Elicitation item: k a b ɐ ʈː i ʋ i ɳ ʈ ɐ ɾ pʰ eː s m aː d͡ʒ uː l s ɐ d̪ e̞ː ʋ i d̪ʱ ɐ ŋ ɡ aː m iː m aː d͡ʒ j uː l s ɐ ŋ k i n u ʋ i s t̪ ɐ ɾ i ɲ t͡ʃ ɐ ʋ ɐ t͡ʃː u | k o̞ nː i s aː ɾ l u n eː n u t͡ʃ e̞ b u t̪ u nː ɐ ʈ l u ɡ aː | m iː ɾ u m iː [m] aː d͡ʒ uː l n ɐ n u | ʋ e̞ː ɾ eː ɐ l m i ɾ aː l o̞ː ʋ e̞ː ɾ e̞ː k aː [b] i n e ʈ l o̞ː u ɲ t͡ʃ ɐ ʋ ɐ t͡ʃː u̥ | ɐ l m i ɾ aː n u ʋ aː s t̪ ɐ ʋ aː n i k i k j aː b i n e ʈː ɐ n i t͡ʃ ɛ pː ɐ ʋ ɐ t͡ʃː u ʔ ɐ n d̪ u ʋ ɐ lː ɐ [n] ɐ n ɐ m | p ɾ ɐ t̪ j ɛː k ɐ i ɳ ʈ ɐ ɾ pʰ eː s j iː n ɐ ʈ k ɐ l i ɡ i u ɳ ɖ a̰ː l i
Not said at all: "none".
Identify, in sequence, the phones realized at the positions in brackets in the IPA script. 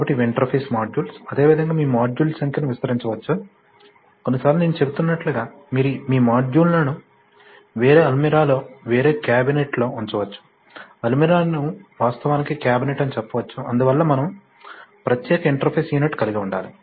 m, b, m

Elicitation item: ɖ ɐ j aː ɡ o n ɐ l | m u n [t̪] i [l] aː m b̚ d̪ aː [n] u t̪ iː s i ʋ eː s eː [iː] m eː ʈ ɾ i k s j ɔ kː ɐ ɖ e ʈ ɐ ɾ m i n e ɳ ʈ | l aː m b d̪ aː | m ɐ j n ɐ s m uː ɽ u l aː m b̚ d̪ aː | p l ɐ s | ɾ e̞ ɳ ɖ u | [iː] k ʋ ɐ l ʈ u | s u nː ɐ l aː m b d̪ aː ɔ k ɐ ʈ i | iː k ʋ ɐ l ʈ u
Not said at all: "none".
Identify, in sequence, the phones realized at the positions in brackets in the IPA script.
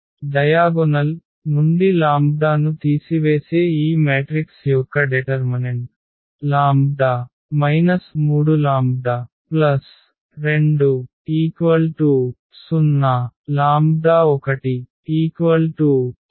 d̪, l, n, iː, iː

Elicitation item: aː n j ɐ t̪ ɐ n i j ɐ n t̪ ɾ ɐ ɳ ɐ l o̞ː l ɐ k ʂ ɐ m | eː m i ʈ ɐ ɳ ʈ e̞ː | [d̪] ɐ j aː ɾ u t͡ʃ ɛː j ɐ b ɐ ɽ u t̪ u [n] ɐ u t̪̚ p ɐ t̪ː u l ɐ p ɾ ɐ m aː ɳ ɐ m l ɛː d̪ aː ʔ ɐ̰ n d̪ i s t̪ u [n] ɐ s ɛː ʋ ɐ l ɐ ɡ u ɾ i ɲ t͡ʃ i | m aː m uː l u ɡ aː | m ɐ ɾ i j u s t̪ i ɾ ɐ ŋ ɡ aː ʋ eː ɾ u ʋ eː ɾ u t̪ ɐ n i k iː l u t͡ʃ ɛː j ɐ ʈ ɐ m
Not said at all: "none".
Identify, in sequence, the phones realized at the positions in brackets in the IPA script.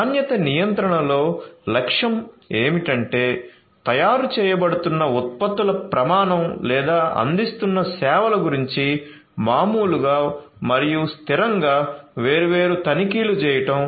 t̪, nː, nː

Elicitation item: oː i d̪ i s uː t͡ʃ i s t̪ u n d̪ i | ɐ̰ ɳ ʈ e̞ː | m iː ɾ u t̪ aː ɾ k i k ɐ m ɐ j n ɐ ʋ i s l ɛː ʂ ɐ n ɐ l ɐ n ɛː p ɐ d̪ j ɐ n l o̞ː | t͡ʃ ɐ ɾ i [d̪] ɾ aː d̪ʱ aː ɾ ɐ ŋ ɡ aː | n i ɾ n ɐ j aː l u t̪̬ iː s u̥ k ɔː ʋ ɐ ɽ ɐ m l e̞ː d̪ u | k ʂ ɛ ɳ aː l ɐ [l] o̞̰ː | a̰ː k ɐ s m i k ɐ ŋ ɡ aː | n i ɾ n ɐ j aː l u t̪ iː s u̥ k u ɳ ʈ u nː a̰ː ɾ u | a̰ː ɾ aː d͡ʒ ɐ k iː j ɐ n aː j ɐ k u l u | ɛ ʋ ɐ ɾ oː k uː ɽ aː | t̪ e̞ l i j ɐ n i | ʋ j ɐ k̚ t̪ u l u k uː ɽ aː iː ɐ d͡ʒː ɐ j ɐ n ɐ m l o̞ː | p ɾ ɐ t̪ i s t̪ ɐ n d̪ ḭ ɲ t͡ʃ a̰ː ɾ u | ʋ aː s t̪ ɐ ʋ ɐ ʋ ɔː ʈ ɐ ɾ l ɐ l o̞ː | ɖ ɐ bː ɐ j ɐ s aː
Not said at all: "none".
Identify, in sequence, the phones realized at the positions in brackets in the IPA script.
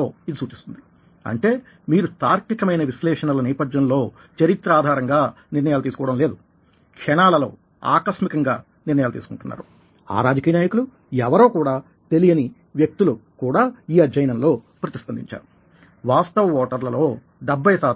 t̪, l

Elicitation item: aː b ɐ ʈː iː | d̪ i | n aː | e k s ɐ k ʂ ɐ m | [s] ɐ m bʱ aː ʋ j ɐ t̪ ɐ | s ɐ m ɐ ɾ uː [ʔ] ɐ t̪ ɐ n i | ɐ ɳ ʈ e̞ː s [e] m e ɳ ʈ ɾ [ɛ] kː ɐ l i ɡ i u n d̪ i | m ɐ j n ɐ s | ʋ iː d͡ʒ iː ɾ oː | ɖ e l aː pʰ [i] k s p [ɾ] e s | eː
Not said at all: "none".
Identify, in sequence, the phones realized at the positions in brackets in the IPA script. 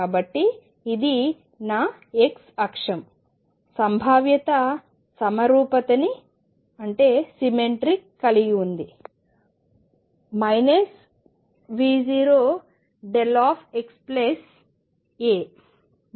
s, p, i, i, e, l

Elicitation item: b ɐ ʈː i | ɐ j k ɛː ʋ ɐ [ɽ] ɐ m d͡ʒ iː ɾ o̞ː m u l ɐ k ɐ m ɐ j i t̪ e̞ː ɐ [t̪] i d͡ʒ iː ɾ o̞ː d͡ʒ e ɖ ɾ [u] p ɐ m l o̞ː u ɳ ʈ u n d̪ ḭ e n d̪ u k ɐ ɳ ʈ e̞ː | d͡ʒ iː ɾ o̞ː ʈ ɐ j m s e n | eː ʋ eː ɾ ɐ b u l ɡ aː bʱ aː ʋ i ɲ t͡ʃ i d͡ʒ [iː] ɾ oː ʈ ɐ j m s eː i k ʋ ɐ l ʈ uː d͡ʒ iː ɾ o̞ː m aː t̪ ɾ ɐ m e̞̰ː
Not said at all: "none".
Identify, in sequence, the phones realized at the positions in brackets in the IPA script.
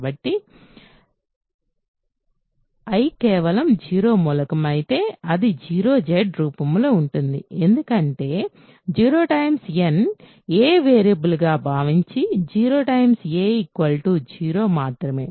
l, d̪, uː, iː

